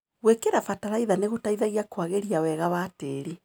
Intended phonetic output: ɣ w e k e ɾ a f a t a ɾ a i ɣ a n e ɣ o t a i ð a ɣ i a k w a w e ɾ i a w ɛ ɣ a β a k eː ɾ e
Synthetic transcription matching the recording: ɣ w e k e ɾ a f a t a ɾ a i ð a n e ɣ o t a i ð a ɣ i a k w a ɣ e ɾ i a w ɛ ɣ a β a t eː ɾ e